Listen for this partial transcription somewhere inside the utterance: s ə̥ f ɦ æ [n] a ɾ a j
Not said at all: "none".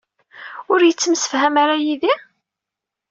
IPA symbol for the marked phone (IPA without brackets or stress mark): m